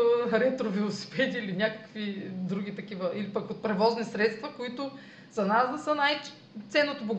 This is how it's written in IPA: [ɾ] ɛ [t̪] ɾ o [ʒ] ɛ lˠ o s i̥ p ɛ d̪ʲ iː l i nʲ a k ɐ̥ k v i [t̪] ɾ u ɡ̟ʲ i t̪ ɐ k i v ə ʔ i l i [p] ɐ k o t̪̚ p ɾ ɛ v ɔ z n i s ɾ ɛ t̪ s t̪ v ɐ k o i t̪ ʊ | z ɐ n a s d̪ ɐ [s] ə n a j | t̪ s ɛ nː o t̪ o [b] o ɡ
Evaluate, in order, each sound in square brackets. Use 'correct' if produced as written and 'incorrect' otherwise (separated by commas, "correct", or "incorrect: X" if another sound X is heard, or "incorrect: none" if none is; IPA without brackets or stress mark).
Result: correct, correct, incorrect: v, incorrect: d̪, correct, correct, correct